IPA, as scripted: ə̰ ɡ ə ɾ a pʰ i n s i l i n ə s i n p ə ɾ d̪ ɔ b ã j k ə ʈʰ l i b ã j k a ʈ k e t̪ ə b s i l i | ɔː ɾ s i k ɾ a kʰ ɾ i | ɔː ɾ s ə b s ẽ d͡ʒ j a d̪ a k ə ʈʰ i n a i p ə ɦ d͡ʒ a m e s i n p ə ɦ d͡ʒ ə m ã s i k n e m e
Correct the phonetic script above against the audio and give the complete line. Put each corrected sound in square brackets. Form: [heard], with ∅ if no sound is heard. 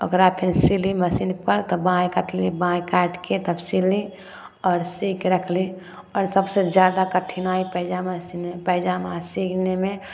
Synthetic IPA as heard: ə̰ ɡ ə ɾ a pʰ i n s i l i [m] ə s i n p ə ɾ [t̪] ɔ b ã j k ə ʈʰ l i b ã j k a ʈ k e t̪ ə b s i l i | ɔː ɾ s i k ɾ [ə] kʰ [l] i | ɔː ɾ s ə b s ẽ d͡ʒ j a d̪ a k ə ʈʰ i n a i p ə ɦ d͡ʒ a m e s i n p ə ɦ d͡ʒ [a] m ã s i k n e m e